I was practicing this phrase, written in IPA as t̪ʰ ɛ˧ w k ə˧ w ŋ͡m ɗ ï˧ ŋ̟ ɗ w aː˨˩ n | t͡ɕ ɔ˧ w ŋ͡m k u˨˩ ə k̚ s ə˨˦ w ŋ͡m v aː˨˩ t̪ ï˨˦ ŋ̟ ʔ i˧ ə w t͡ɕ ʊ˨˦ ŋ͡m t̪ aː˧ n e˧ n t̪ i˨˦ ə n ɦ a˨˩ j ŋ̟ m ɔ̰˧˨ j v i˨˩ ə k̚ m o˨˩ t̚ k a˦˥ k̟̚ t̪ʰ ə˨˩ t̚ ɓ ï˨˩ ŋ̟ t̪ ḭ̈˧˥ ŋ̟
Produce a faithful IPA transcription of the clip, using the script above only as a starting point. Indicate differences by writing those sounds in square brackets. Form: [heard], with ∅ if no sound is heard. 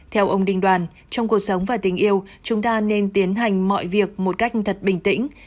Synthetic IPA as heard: t̪ʰ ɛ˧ w [ʔ] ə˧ w ŋ͡m ɗ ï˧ ŋ̟ ɗ w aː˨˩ n | t͡ɕ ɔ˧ w ŋ͡m k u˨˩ ə k̚ s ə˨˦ w ŋ͡m v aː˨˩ t̪ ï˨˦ ŋ̟ ʔ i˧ ə w t͡ɕ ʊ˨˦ ŋ͡m t̪ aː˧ n e˧ n t̪ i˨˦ ə n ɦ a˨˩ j ŋ̟ m ɔ̰˧˨ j v i˨˩ ə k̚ m o˨˩ t̚ k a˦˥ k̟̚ t̪ʰ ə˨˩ t̚ ɓ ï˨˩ ŋ̟ t̪ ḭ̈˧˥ ŋ̟